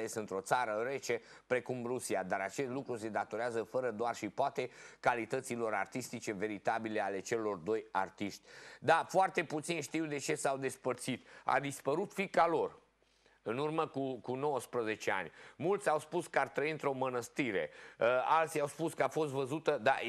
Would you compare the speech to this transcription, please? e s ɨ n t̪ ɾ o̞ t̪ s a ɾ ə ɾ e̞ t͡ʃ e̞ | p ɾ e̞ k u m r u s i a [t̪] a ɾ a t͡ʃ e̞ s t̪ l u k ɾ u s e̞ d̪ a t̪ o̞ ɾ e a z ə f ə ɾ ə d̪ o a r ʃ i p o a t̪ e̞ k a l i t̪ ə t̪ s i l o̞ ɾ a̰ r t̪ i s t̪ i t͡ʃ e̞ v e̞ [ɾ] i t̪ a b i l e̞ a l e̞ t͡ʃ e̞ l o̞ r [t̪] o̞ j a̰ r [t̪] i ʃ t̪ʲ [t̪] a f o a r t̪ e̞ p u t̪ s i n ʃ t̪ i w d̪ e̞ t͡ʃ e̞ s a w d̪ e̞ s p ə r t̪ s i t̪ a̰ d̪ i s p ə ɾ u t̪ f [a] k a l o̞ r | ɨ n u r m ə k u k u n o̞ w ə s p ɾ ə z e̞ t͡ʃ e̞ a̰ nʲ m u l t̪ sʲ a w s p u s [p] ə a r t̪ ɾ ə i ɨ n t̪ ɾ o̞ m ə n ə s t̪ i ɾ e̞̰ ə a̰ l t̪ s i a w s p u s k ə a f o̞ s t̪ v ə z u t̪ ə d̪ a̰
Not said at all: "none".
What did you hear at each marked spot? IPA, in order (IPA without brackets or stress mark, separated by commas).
d̪, ɾ, d̪, t̪, d̪, i, k